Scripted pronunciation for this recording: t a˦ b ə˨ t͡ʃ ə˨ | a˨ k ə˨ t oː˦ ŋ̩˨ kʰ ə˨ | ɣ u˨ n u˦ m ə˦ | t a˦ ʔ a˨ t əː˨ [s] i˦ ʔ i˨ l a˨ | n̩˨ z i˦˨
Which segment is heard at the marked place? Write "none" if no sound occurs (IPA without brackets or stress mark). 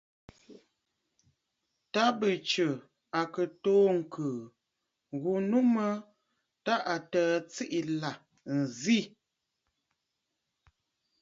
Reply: t͡s